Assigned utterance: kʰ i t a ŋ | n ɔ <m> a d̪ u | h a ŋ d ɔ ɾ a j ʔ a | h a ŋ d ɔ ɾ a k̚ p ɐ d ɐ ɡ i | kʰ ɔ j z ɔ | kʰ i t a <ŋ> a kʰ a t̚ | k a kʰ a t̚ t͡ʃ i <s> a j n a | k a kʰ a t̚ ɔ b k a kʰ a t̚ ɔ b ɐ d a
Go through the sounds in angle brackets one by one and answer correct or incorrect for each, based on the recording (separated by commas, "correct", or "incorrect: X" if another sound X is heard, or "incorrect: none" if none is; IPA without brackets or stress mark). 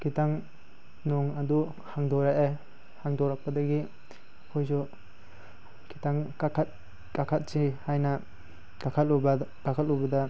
incorrect: ŋ, correct, incorrect: h